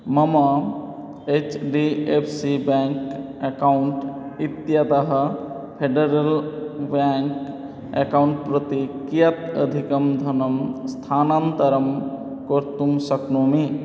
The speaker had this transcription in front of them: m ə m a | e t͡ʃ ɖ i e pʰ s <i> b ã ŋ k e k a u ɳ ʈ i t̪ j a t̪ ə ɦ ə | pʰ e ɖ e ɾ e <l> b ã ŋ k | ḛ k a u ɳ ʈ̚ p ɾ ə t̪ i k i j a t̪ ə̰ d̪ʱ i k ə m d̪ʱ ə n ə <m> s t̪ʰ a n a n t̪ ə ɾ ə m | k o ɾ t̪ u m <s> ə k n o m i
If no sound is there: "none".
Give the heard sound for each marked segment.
i, l, m, s

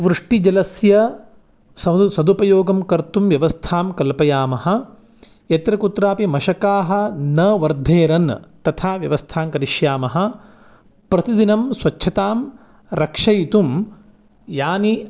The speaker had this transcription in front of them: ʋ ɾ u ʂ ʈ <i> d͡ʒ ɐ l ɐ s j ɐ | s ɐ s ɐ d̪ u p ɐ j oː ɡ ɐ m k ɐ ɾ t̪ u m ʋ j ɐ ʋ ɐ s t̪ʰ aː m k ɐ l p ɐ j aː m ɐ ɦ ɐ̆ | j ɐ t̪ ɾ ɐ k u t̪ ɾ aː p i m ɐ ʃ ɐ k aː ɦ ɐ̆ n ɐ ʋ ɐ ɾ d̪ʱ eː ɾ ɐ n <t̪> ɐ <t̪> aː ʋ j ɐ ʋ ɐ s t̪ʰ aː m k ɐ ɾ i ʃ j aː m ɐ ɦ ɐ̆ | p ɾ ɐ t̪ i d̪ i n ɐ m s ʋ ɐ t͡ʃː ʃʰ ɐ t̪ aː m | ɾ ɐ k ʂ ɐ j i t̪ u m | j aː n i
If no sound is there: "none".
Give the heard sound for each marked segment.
i, t̪, t̪ʰ

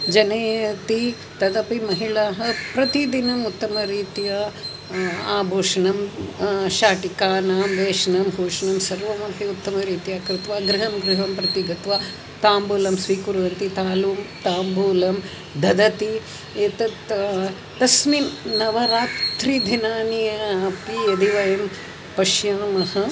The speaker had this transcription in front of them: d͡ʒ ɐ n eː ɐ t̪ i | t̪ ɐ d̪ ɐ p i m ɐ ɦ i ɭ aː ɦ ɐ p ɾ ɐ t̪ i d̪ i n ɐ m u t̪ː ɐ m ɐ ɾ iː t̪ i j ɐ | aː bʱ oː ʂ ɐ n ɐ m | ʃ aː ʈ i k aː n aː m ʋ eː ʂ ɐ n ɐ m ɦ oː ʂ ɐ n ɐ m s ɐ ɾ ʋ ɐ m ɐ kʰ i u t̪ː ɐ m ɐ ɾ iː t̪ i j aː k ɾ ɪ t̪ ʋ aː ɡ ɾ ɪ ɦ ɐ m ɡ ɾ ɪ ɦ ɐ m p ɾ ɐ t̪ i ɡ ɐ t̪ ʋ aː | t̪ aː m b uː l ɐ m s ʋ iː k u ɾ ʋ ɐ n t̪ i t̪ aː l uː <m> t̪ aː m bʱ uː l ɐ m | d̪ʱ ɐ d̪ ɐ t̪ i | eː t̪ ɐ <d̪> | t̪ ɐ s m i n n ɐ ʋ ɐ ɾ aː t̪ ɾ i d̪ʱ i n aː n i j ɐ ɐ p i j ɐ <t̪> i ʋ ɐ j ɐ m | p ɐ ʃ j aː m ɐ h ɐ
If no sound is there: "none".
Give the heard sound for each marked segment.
m, t̪, d̪

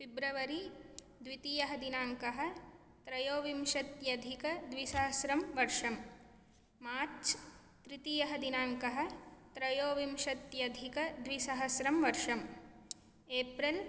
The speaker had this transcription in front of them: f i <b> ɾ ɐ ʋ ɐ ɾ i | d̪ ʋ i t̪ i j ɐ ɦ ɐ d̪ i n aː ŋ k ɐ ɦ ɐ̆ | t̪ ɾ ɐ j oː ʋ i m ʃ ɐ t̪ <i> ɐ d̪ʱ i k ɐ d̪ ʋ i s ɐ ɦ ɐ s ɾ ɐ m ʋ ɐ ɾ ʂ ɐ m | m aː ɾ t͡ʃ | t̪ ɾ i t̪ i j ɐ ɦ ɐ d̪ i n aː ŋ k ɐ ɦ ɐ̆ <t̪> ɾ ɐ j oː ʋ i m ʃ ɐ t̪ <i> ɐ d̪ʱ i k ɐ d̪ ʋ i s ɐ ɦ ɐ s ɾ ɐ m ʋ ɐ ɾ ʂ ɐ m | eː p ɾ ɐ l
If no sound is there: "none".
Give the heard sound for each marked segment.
b, j, t̪, j

